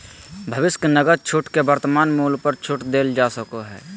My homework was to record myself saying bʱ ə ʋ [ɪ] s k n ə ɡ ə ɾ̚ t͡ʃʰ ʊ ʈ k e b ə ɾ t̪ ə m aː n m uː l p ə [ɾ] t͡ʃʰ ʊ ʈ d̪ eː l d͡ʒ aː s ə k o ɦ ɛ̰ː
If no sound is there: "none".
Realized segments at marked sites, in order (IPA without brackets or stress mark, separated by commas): ɪ, ɾ